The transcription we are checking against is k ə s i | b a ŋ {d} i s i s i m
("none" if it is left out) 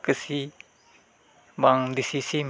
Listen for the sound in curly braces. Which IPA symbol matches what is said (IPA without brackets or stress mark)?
d